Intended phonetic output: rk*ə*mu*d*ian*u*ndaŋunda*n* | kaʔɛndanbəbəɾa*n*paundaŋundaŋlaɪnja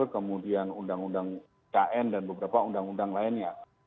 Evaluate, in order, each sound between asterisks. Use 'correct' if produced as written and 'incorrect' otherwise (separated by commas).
correct, correct, correct, incorrect, incorrect